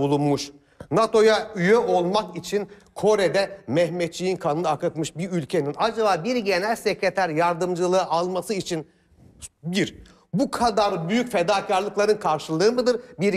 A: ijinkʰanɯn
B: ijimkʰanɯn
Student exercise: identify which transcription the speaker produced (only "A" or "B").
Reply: A